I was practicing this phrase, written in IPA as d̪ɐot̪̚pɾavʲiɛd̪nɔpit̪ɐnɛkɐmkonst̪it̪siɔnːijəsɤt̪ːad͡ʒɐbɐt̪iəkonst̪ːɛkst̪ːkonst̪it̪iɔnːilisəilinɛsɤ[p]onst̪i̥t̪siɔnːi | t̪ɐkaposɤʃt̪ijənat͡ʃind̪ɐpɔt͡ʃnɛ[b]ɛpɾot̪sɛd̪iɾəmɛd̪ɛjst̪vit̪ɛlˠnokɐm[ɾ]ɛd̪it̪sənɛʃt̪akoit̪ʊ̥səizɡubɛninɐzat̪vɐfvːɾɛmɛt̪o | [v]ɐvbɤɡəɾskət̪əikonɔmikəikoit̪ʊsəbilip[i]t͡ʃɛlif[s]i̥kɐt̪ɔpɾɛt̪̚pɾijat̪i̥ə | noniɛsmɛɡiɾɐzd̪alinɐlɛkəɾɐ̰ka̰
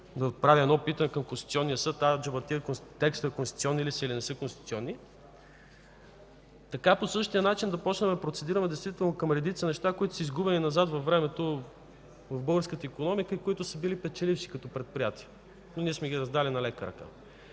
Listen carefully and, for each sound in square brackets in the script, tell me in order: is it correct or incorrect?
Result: incorrect: k, incorrect: m, correct, correct, incorrect: ɛ, incorrect: ʃ

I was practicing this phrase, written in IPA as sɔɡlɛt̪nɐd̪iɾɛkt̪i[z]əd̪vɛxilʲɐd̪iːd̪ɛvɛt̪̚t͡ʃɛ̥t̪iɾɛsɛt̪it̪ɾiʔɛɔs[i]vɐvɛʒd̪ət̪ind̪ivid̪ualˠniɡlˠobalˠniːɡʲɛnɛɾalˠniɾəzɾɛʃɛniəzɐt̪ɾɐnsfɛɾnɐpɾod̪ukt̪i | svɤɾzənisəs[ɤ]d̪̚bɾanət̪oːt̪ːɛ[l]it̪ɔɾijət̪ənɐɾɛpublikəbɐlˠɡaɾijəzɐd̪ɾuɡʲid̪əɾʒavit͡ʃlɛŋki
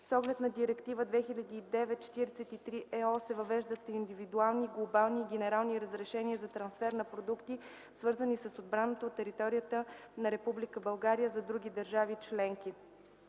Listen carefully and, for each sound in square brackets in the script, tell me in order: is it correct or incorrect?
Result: incorrect: v, incorrect: ɛ, incorrect: o, incorrect: ɾ

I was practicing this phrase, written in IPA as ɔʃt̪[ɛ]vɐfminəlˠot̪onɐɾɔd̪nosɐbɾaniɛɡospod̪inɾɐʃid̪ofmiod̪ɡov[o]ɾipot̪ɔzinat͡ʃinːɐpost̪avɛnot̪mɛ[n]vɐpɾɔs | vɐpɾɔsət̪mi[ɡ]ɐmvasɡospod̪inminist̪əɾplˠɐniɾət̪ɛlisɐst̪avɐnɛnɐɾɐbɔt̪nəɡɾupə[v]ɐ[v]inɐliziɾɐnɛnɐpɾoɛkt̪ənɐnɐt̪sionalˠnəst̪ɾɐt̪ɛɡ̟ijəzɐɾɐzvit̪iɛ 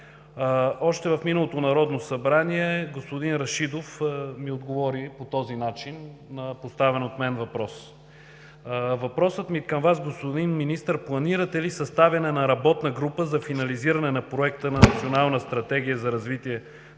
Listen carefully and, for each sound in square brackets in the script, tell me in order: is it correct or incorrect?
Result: correct, incorrect: ɔ, correct, incorrect: k, incorrect: z, incorrect: f

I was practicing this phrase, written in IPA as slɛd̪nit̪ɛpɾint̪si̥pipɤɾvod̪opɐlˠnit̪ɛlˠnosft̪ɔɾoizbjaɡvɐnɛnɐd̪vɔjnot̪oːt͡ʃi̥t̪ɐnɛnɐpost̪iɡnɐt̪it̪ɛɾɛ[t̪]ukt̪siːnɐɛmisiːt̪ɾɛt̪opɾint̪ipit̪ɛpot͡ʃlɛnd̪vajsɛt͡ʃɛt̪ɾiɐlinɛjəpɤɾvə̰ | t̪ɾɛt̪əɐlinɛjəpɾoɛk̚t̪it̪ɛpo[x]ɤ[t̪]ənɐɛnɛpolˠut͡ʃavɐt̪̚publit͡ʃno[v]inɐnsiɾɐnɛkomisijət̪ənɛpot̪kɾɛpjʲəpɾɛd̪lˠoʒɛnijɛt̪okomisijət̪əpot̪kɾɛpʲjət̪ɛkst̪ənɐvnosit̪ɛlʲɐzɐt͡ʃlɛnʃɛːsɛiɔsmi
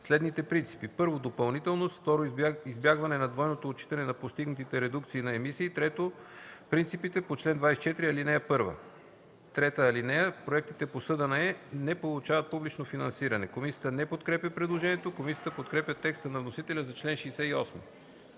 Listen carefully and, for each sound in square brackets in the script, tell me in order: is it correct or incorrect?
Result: incorrect: d̪, incorrect: s, incorrect: d̪, incorrect: f

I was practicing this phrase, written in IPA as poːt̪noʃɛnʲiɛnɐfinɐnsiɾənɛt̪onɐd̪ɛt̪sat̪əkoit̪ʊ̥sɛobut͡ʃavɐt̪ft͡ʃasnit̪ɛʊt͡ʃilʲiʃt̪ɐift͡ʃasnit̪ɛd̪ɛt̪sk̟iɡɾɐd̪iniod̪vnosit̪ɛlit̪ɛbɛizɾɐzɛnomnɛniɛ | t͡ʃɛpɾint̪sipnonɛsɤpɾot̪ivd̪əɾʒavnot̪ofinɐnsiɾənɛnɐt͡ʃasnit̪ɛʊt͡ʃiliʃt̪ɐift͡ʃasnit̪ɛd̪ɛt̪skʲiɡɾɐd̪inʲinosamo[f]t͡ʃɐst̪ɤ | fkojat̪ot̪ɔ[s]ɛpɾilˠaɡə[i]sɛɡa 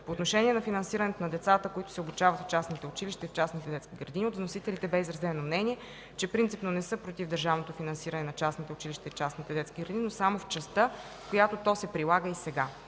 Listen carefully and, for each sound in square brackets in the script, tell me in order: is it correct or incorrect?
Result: correct, correct, correct

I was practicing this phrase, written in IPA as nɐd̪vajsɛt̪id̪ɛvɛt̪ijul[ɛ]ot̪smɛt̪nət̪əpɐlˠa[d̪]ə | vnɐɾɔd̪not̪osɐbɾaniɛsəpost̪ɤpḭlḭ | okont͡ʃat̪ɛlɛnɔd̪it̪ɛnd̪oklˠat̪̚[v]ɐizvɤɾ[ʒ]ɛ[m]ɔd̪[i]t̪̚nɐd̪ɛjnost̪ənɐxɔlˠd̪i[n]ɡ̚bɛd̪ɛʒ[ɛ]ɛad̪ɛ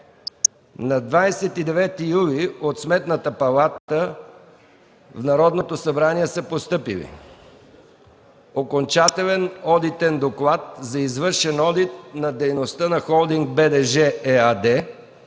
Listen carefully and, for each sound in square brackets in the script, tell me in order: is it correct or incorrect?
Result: incorrect: i, incorrect: t̪, incorrect: z, incorrect: ʃ, incorrect: n, correct, incorrect: ŋ, correct

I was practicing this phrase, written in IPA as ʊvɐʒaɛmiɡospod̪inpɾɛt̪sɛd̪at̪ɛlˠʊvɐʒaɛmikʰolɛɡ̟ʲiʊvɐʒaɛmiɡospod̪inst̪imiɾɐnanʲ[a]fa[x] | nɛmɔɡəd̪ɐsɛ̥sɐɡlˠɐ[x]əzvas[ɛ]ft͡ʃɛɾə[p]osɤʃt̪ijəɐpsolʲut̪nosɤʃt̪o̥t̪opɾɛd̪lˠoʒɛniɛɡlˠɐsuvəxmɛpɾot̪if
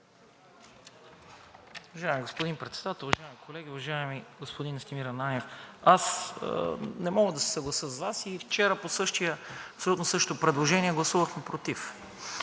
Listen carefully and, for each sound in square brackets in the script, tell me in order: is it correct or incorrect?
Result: incorrect: ɛ, incorrect: s, incorrect: s, incorrect: i, correct

